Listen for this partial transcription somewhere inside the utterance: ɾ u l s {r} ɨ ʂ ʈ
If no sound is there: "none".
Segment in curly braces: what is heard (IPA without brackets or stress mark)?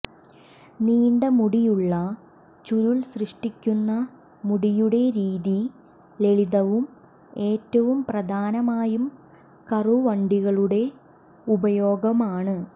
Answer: r